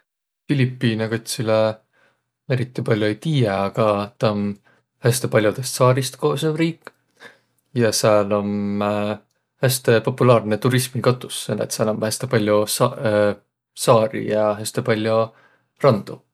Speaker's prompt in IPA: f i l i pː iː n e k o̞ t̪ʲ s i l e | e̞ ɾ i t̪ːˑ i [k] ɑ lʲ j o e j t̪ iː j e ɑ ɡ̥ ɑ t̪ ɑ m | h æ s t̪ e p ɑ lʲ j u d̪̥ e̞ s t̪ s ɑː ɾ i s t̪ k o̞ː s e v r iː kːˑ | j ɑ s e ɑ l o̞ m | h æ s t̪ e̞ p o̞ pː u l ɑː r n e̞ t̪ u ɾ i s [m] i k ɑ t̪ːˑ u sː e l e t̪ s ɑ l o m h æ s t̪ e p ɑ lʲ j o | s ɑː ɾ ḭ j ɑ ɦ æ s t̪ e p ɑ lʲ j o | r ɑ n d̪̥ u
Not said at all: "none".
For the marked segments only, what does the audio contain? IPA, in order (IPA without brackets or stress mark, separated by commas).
p, m